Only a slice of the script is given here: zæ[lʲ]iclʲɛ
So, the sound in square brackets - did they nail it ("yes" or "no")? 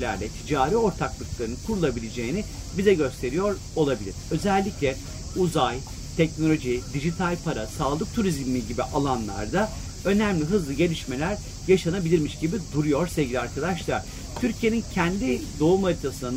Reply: no